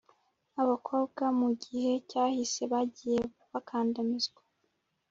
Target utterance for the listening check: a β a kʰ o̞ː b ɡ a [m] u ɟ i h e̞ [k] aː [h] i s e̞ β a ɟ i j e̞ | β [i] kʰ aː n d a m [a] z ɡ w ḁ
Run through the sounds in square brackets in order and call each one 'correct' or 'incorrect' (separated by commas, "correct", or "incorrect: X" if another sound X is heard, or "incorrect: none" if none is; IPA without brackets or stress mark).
correct, incorrect: c, correct, incorrect: a, incorrect: i